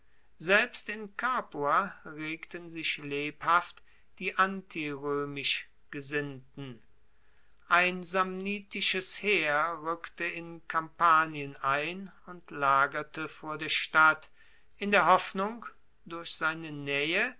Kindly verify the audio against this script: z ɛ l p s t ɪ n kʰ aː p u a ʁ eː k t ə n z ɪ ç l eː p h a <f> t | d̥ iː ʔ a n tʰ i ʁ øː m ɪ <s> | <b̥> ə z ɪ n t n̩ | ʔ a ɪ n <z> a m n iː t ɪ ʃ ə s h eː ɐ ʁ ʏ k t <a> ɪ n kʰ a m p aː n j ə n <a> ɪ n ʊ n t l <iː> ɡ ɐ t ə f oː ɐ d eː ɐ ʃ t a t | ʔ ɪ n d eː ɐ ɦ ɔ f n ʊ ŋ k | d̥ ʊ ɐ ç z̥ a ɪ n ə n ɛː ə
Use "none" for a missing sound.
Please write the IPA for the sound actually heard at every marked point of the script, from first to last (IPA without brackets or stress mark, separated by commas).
f, ʃ, ɡ̥, z, ə, a, aː